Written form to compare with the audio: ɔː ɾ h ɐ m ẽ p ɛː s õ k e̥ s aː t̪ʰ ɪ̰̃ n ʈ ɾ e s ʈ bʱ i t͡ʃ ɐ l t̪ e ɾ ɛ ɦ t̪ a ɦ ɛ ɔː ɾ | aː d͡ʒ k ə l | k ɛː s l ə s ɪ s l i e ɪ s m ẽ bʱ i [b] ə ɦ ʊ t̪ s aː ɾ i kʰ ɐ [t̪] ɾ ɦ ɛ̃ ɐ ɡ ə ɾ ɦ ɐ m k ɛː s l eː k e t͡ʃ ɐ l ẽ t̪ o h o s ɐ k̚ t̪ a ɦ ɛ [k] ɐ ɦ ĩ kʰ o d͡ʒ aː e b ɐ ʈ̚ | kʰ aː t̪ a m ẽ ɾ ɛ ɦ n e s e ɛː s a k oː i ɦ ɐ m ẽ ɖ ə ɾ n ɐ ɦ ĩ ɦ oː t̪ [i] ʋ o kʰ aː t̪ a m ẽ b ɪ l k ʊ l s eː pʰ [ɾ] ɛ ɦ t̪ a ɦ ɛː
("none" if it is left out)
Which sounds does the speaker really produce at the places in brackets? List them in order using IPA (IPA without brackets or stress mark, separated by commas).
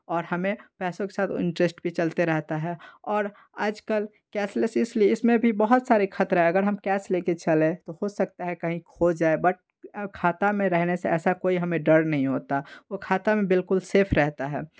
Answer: b, t̪, k, a, ɾ